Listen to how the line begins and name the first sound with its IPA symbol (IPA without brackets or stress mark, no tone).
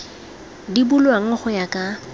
d